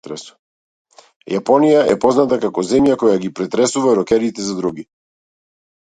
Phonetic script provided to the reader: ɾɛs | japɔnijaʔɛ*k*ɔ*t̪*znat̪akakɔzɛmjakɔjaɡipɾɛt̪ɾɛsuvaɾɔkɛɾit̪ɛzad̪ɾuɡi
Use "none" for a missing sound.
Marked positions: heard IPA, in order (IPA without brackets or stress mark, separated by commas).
p, none